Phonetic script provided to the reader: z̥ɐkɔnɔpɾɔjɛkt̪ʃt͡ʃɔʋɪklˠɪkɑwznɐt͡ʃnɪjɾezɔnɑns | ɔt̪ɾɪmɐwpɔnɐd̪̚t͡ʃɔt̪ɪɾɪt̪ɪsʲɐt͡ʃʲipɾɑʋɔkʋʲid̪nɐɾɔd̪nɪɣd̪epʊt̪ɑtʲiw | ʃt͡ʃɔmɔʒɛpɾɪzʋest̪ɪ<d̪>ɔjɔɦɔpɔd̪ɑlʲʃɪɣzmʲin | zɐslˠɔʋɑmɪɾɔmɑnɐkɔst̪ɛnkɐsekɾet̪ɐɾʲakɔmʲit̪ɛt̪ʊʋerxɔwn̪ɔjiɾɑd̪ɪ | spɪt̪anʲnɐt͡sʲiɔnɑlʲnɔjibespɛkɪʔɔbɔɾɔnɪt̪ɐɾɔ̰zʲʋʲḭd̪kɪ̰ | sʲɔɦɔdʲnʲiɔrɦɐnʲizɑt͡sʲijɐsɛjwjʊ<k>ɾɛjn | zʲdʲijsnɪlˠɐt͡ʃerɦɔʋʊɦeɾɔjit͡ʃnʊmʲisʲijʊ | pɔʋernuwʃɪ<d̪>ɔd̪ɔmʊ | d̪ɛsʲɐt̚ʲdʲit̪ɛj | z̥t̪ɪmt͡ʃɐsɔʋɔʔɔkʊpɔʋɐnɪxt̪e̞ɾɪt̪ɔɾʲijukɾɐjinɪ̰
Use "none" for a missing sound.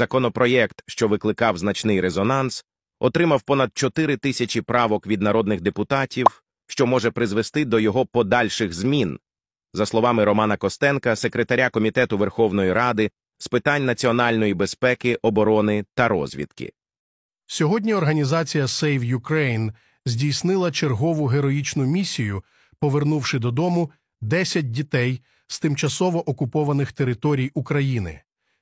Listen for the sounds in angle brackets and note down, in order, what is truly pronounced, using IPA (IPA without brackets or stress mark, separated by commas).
d̪, k, d̪